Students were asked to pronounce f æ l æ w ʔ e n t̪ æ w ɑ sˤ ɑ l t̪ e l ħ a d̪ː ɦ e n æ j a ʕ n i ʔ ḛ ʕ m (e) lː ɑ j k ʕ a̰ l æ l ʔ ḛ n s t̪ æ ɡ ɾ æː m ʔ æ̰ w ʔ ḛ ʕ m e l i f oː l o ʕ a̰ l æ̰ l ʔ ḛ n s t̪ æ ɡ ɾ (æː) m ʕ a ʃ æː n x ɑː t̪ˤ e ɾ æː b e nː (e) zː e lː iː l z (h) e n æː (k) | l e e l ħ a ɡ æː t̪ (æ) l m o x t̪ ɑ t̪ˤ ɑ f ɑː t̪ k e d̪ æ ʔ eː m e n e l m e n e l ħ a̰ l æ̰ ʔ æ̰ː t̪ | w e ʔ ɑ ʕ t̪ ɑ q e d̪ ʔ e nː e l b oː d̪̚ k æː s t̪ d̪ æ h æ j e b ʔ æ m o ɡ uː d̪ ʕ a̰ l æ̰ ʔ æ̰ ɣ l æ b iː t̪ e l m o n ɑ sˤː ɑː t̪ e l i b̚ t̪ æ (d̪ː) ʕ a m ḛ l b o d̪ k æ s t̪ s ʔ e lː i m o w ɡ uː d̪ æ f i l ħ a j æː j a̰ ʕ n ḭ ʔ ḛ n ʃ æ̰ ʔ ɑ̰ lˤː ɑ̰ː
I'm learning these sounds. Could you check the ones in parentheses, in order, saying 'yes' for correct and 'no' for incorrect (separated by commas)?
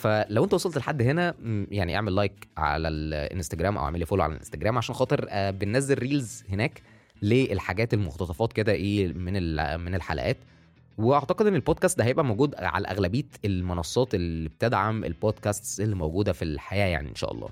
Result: yes, yes, no, yes, yes, no, no